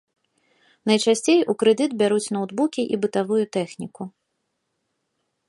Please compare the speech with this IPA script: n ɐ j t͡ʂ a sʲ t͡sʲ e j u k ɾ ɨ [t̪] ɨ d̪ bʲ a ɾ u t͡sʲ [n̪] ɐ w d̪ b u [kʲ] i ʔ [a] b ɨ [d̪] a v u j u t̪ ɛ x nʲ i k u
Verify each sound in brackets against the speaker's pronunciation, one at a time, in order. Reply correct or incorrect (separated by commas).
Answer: incorrect, correct, correct, incorrect, incorrect